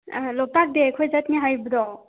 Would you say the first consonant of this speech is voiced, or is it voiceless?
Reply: voiced